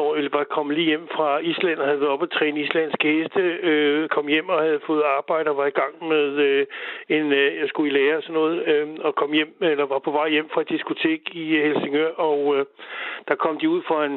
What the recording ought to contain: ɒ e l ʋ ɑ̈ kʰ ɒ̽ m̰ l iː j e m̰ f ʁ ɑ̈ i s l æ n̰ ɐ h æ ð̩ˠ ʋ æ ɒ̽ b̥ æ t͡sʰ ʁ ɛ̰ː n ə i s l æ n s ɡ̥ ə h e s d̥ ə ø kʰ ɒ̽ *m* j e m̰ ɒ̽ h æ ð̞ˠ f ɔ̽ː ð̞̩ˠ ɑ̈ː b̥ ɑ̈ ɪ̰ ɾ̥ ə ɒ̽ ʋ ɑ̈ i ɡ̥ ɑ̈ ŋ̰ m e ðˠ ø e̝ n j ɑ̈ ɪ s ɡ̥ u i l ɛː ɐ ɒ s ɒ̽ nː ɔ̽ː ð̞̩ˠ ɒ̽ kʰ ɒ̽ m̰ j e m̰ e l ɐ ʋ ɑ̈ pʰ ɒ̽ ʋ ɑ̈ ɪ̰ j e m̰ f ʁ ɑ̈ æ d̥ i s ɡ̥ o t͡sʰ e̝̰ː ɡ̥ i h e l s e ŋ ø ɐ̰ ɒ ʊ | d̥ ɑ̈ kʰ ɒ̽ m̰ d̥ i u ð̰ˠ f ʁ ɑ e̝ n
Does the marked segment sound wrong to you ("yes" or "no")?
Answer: no